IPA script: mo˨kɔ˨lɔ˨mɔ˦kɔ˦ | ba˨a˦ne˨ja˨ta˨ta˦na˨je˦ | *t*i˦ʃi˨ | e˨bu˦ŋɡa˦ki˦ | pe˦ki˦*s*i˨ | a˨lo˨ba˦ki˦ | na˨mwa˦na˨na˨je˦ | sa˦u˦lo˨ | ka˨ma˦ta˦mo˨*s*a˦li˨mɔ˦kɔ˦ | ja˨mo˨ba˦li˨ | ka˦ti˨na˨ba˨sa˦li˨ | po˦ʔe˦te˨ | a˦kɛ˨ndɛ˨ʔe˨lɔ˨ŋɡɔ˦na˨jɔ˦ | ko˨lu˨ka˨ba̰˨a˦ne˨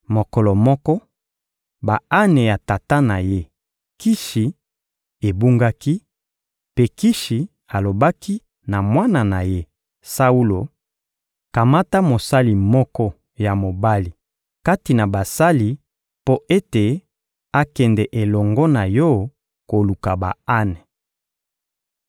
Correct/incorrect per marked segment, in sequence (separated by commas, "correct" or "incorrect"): incorrect, incorrect, correct